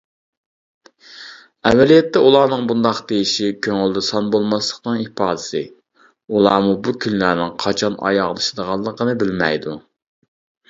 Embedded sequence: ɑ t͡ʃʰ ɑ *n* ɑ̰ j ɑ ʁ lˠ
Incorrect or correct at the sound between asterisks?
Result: correct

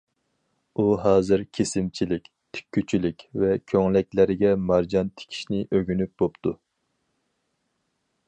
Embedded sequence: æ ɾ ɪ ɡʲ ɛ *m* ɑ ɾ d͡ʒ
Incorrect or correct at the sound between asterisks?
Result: correct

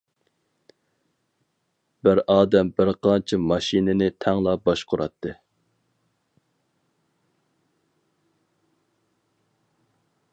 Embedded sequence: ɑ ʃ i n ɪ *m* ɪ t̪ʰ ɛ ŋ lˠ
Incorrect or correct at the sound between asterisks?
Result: incorrect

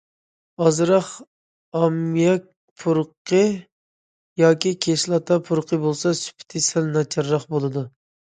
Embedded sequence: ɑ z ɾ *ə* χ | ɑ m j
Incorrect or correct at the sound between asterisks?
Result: incorrect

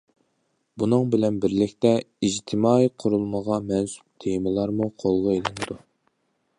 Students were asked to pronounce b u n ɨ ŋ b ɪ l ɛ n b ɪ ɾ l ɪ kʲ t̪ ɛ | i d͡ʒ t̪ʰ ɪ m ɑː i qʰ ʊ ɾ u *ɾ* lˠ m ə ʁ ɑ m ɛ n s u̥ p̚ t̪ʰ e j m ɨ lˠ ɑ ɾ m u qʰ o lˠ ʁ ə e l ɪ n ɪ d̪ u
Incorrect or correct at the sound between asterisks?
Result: incorrect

